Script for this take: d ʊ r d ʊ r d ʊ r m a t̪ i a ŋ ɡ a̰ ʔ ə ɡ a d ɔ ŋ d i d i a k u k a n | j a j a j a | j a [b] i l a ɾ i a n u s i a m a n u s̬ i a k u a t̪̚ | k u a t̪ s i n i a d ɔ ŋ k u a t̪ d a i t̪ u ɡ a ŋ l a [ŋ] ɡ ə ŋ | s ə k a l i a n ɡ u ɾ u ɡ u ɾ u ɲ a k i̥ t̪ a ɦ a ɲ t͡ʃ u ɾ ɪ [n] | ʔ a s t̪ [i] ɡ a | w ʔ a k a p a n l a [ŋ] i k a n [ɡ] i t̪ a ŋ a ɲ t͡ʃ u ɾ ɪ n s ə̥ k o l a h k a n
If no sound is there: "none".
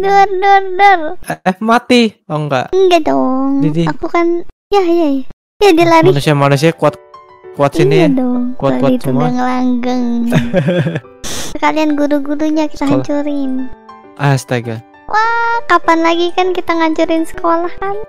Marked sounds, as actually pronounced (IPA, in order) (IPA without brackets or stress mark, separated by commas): d, ŋ, n, a, ɡ, k